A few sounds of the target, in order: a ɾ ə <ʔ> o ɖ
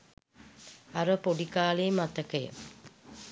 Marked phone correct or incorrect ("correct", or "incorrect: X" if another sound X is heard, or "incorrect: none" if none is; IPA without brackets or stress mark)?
incorrect: p